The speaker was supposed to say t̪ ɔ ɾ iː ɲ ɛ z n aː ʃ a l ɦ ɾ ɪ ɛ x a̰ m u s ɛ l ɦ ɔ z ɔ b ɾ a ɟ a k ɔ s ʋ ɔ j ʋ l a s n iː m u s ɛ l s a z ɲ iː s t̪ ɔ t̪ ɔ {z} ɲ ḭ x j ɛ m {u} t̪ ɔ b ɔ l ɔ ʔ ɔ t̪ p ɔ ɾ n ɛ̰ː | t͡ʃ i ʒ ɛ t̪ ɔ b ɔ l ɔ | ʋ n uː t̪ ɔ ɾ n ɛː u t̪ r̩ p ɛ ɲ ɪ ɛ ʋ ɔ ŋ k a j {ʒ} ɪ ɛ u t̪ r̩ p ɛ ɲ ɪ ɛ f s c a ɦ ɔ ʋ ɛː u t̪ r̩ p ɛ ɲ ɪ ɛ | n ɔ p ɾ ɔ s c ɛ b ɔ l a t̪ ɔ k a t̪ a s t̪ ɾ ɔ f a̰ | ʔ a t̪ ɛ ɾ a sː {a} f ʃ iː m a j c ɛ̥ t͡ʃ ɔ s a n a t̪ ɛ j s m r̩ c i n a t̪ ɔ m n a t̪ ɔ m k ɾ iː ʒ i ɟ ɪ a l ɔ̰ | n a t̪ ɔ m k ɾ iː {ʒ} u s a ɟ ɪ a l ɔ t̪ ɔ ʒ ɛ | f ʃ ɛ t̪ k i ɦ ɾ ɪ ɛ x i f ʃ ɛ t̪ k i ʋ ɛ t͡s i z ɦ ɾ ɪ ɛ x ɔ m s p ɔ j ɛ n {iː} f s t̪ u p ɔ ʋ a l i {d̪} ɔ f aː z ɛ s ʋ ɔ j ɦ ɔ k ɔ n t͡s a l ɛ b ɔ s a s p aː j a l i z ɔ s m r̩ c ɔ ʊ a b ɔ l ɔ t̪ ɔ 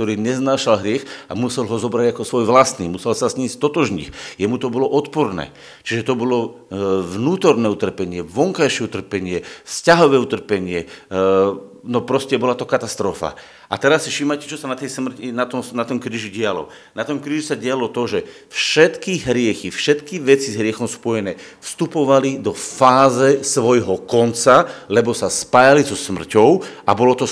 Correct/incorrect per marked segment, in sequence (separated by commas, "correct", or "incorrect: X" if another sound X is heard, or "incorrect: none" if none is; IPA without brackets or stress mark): incorrect: ʒ, correct, incorrect: ʃ, incorrect: i, correct, incorrect: ɛː, correct